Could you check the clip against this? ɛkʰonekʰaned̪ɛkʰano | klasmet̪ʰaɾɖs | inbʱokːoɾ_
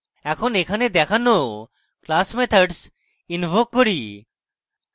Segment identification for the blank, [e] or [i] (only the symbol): i